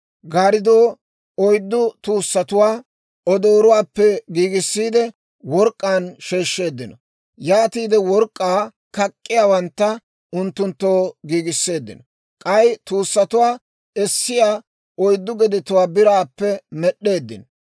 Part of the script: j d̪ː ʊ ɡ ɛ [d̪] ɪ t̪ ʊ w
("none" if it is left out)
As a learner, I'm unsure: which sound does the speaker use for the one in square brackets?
d̪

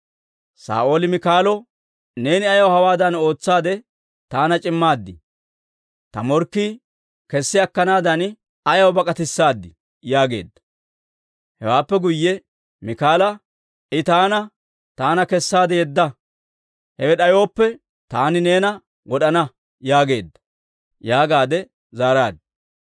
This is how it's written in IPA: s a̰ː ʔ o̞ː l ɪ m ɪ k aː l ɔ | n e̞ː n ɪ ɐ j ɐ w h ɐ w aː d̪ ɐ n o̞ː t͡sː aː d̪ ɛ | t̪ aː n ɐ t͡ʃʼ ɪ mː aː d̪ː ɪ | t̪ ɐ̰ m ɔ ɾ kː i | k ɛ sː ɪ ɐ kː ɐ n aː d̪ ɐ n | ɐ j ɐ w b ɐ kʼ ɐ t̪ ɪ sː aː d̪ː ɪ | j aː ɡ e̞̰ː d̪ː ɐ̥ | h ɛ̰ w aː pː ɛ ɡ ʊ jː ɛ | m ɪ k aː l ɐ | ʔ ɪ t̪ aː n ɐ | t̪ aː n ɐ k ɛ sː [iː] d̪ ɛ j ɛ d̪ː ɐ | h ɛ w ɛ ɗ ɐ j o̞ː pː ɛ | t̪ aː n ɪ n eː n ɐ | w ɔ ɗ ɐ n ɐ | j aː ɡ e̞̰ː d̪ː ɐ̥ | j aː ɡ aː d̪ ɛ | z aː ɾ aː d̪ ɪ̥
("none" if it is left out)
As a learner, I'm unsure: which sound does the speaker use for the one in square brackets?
aː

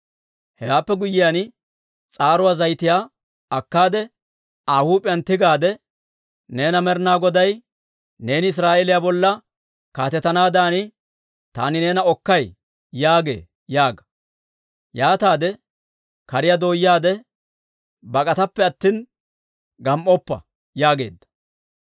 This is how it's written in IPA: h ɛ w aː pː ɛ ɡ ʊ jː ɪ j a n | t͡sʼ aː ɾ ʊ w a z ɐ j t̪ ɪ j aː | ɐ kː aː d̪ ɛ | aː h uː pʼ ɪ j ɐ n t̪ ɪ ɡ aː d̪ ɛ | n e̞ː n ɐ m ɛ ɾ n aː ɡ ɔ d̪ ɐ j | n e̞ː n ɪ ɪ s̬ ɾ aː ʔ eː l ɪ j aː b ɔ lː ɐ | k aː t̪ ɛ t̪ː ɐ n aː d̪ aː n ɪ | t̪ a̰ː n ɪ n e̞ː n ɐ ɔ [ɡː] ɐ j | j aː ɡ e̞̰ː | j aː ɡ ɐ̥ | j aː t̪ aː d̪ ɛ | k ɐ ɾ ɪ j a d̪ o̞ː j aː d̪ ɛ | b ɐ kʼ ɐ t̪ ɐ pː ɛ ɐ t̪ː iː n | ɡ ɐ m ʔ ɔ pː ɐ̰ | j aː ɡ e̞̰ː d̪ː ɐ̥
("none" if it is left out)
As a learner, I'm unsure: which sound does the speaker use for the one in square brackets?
kː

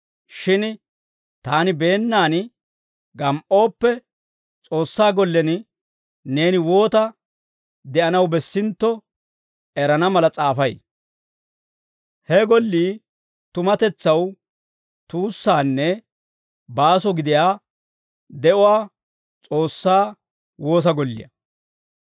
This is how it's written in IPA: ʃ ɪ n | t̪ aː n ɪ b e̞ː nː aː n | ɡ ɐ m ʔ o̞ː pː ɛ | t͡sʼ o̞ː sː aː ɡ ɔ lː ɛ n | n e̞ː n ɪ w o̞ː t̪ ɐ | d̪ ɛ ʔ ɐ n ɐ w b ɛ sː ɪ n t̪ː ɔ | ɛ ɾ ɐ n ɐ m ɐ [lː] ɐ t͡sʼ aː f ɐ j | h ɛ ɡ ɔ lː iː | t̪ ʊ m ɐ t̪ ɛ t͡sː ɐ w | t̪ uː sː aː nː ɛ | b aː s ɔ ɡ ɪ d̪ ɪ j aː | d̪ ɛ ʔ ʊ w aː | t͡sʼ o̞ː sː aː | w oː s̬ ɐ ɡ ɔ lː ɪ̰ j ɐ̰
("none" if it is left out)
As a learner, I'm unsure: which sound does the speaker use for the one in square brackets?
l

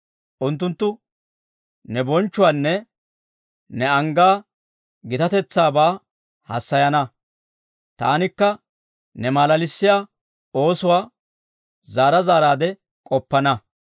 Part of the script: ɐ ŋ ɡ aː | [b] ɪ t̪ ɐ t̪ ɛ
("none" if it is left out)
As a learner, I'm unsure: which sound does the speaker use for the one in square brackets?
ɡ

